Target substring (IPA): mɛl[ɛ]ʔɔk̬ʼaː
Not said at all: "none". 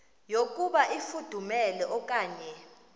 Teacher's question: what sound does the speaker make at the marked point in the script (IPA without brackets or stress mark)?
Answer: ɛ